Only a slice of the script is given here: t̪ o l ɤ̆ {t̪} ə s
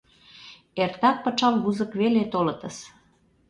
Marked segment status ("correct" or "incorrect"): correct